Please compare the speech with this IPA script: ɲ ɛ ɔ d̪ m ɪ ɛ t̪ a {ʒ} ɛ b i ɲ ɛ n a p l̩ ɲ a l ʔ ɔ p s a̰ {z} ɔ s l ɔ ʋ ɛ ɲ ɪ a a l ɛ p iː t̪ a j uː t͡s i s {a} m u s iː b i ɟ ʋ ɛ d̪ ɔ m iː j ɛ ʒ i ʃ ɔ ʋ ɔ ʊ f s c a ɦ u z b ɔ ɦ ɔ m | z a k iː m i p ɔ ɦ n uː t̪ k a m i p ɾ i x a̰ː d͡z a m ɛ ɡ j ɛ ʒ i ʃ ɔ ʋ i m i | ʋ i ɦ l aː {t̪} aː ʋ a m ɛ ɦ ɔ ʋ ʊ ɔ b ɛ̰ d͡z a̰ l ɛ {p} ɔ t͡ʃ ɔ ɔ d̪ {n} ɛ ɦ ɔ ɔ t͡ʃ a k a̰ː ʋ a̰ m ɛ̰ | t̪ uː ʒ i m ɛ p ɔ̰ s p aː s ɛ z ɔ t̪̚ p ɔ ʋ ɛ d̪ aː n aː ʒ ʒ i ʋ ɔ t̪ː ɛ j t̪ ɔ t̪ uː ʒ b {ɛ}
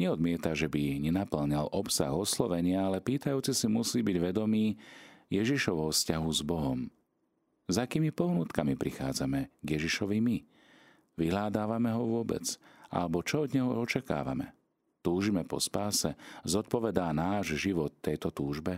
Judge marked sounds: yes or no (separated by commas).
yes, no, no, no, no, no, yes